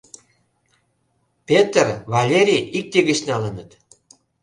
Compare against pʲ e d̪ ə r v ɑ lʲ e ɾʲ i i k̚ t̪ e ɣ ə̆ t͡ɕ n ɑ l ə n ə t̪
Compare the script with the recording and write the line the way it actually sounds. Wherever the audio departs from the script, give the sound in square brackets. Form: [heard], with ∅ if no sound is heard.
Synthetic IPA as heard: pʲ e [t̪] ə r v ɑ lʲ e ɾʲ i i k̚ t̪ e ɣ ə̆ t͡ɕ n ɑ l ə n ə t̪